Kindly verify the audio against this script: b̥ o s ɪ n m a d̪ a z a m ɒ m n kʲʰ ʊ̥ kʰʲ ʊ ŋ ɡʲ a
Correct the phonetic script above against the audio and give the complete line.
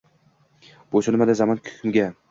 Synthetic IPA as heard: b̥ o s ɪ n m a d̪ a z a m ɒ n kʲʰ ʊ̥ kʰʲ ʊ m ɡʲ a